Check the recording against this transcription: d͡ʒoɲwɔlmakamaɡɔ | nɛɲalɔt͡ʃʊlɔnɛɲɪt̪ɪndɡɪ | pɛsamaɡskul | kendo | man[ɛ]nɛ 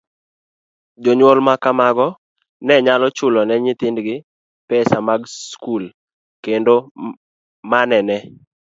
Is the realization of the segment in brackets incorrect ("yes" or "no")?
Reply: no